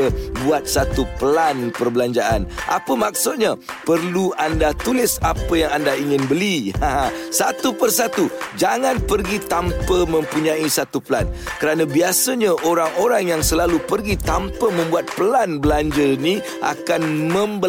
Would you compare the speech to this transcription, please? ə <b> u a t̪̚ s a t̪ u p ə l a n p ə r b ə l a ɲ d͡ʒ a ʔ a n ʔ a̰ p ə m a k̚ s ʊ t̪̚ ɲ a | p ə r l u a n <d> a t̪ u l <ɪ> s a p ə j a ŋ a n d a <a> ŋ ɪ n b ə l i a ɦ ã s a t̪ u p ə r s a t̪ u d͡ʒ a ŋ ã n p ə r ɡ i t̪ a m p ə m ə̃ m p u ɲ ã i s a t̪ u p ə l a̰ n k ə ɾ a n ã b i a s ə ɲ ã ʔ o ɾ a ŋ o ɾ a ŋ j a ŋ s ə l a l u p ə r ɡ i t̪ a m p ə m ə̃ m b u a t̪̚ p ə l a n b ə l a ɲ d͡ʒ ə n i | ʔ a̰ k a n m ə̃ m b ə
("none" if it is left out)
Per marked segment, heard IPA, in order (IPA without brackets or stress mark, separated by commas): b, d, ɪ, i